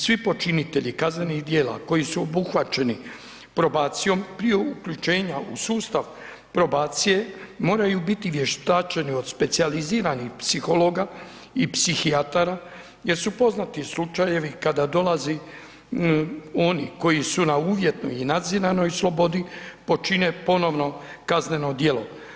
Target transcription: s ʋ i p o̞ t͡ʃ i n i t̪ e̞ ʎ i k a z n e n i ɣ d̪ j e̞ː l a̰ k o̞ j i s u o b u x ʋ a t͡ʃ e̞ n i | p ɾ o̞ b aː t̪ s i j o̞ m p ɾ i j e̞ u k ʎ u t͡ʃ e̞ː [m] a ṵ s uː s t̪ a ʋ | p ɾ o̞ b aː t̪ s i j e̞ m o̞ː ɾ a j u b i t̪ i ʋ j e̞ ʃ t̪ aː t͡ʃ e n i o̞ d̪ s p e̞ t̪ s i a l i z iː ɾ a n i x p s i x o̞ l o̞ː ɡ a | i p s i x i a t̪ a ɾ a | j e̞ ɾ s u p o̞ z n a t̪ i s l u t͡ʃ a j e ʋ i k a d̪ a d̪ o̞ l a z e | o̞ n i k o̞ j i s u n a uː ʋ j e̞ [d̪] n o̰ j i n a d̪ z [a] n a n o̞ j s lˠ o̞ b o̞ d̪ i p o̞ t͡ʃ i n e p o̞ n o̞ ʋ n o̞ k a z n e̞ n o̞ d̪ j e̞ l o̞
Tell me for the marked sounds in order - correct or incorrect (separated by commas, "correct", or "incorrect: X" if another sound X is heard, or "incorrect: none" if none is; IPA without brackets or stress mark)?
incorrect: ɲ, incorrect: t̪, incorrect: i